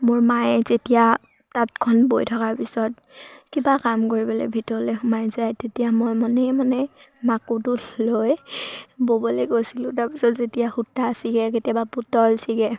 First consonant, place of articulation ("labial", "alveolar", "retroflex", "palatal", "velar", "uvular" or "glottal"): labial